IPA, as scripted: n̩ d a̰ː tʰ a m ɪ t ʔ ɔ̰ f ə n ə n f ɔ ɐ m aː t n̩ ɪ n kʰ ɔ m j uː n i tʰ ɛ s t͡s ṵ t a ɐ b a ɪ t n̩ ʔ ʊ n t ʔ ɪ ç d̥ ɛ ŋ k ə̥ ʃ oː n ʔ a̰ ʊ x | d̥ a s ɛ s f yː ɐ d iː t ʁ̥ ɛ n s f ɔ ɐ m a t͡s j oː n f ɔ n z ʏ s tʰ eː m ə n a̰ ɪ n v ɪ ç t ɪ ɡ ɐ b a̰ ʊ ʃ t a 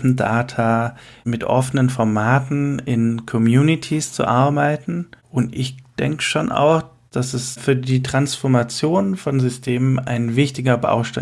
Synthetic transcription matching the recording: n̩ d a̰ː tʰ a m ɪ t ʔ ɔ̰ f ə n ə n f ɔ ɐ m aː t n̩ ɪ n kʰ ɔ m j uː n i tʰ i s t͡s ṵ ʔ a ɐ b a ɪ t n̩ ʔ ʊ n t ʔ ɪ ç d̥ ɛ ŋ k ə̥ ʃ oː n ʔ a̰ ʊ x | d̥ a s ɛ s f yː ɐ d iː t ʁ̥ a n s f ɔ ɐ m a t͡s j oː n f ɔ n z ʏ s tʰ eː m ə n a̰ ɪ n v ɪ ç t ɪ ɡ ɐ b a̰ ʊ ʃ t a

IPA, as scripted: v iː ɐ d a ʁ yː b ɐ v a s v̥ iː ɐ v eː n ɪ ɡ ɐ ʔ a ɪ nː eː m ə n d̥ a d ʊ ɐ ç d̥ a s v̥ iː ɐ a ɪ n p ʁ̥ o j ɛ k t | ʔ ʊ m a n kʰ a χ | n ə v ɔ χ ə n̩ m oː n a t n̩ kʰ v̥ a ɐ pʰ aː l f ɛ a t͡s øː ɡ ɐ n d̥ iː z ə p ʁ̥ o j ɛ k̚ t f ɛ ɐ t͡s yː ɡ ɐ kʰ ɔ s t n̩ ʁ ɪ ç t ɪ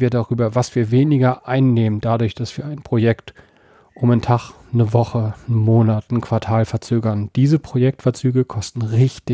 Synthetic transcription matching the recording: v iː ɐ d a ʁ yː b ɐ v a s v̥ iː ɐ v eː n ɪ ɡ ɐ ʔ a ɪ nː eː m ə n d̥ a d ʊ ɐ ç d̥ a s v̥ iː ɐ a ɪ n p ʁ̥ o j ɛ k t | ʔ ʊ m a n tʰ a χ | n ə v ɔ χ ə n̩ m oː n a t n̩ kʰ v̥ a ɐ tʰ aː l f ɛ ɐ t͡s øː ɡ ɐ n d̥ iː z ə p ʁ̥ o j ɛ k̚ t f ɛ ɐ t͡s yː ɡ ə kʰ ɔ s t n̩ ʁ ɪ ç t ɪ

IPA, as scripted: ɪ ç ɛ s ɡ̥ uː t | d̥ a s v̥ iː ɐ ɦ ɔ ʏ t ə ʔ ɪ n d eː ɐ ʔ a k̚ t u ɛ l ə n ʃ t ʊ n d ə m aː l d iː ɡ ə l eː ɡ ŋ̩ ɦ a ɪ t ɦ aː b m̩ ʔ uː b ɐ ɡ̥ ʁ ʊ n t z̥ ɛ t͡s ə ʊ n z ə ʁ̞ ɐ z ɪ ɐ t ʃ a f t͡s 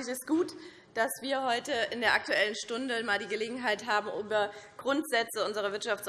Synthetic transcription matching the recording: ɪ ç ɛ s ɡ̥ uː t | d̥ a s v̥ iː ɐ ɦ ɔ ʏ t ə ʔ ɪ n d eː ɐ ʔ a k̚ t u ɛ l ə n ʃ t ʊ n d ə m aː l d iː ɡ ə l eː ɡ ŋ̩ ɦ a ɪ t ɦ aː b m̩ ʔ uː b ɐ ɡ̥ ʁ ʊ n t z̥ ɛ t͡s ə ʊ n z ə ʁ̞ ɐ v ɪ ɐ t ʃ a f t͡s

